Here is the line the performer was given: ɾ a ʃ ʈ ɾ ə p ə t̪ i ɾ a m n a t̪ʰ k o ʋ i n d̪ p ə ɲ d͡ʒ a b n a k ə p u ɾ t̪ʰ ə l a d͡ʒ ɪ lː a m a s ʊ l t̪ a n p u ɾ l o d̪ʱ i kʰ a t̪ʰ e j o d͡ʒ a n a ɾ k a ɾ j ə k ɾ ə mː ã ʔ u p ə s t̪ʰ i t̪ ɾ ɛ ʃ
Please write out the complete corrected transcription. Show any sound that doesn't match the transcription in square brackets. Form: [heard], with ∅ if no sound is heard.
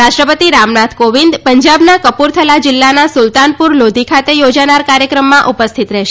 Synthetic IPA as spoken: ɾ a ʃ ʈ ɾ ə p ə t̪ i ɾ a m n a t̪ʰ k o ʋ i n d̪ p ə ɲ d͡ʒ a b n a k ə p u ɾ t̪ʰ ə l a d͡ʒ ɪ lː a [n] a s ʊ l t̪ a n p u ɾ l o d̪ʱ i kʰ a [t̪] e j o d͡ʒ a n a ɾ k a ɾ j ə k ɾ ə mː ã ʔ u p ə s t̪ʰ i t̪ ɾ ɛ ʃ